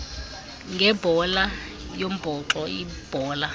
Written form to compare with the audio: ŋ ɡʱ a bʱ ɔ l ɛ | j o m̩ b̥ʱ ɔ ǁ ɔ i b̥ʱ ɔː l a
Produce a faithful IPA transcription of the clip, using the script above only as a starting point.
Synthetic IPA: ŋ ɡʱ ɛ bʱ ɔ l a | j o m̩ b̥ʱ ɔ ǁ ɔ i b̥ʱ ɔː l a

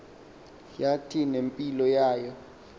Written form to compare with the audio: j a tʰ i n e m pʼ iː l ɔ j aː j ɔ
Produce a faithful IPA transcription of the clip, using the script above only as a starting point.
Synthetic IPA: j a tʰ i n e m pʼ i l ɔ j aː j ɔ

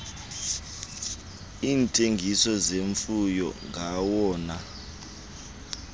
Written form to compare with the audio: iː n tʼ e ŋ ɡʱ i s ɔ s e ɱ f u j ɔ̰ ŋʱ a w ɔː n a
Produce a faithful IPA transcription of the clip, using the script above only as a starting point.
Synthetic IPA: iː n tʼ e ŋ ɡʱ i s ɔ z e ɱ f u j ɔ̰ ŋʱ a w ɔː n a

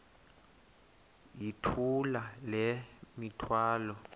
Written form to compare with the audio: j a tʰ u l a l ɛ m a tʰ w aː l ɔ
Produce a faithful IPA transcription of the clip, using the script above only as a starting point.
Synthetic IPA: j i tʰ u l a l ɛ m i tʰ w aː l ɔ

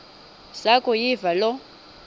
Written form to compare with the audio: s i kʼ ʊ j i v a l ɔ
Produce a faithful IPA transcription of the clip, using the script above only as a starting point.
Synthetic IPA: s a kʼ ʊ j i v a l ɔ

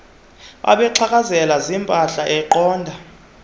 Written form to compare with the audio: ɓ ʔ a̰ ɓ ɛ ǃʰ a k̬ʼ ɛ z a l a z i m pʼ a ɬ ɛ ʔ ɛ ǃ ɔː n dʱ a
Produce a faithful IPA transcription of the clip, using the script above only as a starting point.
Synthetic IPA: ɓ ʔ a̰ ɓ ɛ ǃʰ a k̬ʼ a z ɛ l a z i m pʼ a ɬ a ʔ ɛ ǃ ɔː n dʱ a

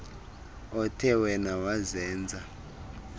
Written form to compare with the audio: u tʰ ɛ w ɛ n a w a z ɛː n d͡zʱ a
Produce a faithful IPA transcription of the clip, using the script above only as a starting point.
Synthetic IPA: ɔ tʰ ɛ w ɛ n a w a z ɛː n d͡zʱ a

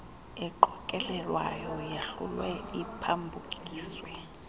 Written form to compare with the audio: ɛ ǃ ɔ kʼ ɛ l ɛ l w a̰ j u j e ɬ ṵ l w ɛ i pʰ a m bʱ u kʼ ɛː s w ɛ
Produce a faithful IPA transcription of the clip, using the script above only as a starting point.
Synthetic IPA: ɛ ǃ ɔ kʼ ɛ l ɛ l w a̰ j ɔ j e ɬ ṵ l w ɛ i pʰ a m bʱ u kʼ iː s w ɛ

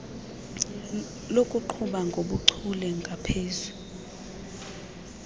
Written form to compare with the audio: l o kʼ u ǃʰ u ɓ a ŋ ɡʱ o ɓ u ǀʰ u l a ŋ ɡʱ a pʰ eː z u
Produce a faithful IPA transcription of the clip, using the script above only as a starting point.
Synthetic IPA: l o kʼ u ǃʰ u ɓ a ŋ ɡʱ o ɓ u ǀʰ u l ɛ ŋ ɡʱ a pʰ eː z u

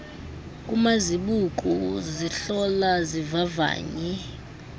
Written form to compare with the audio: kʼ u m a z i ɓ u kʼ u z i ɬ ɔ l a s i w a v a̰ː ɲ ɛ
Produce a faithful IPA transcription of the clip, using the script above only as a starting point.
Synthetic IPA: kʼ u m a z i ɓ u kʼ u z i ɬ ɔ l a z i v a v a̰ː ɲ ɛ

